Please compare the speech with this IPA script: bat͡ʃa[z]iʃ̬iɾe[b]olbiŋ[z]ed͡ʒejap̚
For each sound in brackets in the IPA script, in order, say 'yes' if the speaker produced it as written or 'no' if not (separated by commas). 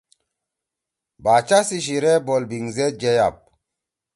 no, yes, yes